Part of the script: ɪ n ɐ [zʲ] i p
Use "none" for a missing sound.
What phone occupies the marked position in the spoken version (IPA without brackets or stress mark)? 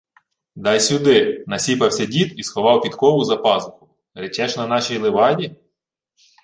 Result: sʲ